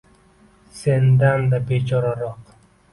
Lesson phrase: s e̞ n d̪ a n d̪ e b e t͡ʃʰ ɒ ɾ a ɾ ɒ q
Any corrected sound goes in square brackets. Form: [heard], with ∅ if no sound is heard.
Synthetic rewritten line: s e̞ n d̪ a n d̪ [a] b e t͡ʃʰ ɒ ɾ a ɾ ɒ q